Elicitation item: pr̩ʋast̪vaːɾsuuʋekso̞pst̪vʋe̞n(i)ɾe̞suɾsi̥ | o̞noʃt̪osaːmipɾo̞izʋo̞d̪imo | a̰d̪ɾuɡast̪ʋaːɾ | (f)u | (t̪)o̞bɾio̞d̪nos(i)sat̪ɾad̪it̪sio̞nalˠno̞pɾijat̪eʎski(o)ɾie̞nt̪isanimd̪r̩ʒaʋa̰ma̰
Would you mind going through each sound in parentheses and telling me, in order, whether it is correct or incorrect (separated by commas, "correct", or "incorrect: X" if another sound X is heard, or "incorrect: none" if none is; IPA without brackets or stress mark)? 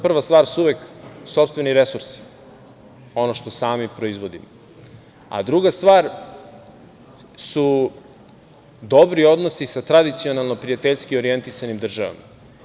correct, incorrect: s, incorrect: d̪, correct, correct